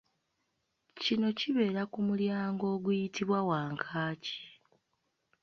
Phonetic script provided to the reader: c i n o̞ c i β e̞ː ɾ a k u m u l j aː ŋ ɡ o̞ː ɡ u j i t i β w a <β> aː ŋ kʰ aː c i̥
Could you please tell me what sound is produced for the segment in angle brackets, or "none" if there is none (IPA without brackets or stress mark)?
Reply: w